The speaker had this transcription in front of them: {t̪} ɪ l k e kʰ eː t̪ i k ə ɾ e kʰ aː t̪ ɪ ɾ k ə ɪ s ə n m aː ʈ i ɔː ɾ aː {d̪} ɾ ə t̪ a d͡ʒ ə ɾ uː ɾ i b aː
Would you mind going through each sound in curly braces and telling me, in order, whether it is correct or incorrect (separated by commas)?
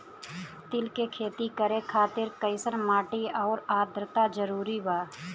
correct, correct